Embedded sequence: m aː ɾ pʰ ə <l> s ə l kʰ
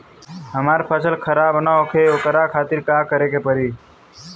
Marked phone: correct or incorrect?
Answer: incorrect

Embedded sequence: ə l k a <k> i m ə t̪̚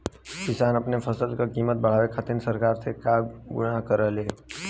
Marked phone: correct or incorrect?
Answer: correct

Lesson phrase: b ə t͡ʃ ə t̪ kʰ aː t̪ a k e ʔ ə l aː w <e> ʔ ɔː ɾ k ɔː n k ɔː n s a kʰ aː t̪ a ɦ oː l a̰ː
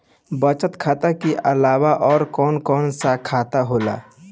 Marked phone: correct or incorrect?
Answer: incorrect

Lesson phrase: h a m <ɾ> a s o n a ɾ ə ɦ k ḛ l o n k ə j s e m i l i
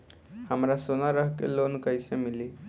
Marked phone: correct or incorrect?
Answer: correct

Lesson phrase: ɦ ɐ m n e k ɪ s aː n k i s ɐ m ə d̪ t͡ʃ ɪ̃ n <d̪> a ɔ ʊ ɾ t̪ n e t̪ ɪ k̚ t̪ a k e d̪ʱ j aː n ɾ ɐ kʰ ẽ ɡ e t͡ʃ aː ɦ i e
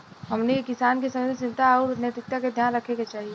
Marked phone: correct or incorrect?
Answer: incorrect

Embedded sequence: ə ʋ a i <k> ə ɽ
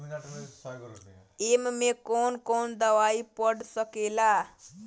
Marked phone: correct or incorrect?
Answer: incorrect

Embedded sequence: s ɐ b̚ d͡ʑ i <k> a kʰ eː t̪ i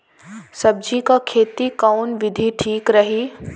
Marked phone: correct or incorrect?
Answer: correct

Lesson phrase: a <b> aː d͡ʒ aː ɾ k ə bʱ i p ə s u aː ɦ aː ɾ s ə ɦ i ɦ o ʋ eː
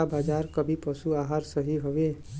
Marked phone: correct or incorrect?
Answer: correct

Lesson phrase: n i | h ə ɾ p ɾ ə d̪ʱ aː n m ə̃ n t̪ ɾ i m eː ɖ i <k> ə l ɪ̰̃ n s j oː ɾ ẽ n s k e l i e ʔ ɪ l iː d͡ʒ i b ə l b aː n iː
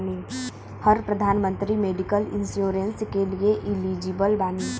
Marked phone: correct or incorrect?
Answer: correct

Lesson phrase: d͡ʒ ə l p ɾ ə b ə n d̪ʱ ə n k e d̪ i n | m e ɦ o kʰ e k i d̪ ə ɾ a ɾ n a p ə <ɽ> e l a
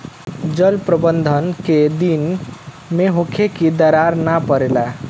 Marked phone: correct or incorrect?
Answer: incorrect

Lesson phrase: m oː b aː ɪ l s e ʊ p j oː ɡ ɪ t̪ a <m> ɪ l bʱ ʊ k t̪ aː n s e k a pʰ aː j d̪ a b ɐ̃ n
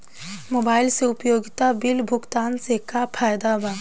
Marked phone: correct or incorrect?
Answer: incorrect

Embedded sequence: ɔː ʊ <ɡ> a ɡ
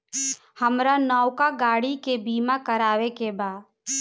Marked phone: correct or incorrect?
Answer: incorrect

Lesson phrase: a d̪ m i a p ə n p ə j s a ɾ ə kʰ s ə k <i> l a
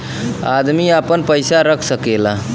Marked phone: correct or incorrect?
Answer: incorrect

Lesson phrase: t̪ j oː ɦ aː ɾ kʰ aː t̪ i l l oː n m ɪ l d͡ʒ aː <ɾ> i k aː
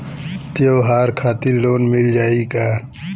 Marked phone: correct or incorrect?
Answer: incorrect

